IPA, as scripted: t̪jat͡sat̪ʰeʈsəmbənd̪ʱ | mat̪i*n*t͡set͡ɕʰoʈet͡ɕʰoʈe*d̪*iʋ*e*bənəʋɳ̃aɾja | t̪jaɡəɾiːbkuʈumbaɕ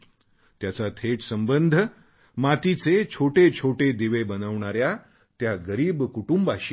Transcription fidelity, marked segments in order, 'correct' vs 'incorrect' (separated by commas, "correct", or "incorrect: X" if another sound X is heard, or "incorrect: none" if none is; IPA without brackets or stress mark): incorrect: none, correct, correct